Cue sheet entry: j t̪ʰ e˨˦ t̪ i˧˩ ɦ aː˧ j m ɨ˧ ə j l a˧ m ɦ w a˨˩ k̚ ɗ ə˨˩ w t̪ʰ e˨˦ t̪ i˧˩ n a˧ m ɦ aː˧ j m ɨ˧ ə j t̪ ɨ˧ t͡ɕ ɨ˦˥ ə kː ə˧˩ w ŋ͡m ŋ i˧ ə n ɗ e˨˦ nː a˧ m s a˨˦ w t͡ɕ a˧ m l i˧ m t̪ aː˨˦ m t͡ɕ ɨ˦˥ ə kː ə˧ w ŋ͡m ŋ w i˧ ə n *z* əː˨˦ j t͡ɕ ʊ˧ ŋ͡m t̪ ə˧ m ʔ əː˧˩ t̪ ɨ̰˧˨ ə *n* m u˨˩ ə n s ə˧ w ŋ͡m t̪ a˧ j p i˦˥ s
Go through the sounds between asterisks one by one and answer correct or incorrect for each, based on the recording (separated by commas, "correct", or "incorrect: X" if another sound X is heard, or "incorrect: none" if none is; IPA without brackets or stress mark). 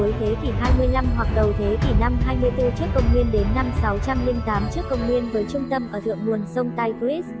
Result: incorrect: v, incorrect: ŋ